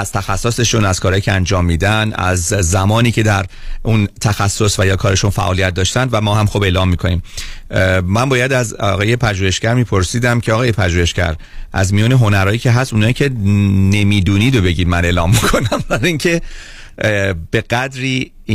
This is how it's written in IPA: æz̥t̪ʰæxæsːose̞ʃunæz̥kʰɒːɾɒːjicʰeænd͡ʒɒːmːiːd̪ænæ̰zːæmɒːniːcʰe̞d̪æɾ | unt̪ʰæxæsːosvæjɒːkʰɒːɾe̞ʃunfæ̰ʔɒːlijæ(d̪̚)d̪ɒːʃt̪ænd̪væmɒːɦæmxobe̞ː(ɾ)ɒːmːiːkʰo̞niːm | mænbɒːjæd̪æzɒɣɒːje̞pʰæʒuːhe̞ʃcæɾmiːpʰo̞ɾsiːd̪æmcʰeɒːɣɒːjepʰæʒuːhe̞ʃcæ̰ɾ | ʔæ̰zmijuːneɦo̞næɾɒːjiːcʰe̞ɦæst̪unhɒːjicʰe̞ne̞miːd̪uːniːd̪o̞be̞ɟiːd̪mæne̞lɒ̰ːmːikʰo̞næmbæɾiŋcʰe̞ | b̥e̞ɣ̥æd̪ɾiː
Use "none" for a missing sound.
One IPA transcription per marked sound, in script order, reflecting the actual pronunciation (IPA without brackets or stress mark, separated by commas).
t̪̚, l